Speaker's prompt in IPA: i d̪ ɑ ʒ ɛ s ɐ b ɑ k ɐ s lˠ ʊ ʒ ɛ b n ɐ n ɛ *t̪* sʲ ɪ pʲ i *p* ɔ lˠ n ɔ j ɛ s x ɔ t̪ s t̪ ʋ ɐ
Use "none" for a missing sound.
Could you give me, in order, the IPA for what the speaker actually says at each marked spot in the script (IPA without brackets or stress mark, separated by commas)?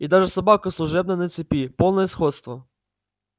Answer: t̪, p